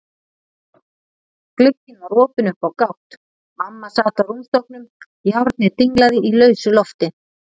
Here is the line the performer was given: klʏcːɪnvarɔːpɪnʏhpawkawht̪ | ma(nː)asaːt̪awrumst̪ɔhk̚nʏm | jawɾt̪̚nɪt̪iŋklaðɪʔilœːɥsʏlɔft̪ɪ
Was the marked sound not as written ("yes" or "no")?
yes